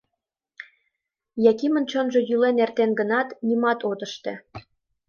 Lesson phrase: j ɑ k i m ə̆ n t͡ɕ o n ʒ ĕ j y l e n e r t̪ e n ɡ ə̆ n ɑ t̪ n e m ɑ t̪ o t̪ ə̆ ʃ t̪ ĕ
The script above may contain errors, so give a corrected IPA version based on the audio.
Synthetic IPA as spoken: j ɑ k i m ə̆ n t͡ɕ o n ʒ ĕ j y l e n e r t̪ e n ɡ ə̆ n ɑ t̪ n i m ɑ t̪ o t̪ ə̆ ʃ t̪ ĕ